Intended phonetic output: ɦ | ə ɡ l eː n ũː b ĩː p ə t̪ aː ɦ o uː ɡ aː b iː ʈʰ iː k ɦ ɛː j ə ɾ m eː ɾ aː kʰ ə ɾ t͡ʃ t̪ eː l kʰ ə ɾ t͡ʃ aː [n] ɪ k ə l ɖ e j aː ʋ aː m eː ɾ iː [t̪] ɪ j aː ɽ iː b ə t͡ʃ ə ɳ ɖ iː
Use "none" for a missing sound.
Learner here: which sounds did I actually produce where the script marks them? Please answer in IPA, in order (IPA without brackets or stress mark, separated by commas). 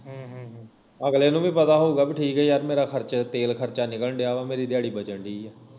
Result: n, d̪